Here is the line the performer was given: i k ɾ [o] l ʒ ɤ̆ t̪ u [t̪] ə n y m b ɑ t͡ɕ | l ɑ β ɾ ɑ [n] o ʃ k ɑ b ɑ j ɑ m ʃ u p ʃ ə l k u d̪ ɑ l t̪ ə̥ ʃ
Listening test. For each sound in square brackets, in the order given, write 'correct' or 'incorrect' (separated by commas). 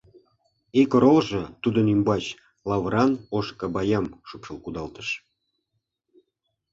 correct, incorrect, correct